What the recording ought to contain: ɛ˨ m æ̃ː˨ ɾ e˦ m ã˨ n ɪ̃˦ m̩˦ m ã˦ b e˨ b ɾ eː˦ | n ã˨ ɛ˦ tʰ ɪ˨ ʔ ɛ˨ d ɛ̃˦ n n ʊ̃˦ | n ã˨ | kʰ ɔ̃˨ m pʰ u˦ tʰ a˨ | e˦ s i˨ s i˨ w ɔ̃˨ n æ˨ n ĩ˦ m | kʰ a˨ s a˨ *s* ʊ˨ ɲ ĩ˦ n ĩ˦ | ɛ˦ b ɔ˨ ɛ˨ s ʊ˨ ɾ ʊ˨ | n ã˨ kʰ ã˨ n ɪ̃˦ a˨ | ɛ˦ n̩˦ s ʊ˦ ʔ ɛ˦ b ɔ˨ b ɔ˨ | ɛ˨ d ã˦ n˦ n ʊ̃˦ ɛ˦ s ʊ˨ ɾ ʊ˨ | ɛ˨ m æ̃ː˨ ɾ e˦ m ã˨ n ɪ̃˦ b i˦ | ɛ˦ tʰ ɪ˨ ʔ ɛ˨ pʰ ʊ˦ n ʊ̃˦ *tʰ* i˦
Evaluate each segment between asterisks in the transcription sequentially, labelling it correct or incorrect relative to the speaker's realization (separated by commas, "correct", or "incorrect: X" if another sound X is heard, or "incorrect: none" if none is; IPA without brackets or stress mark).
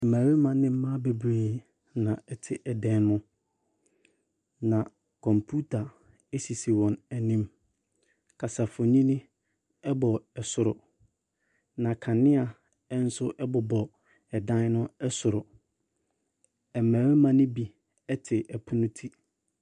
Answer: incorrect: f, correct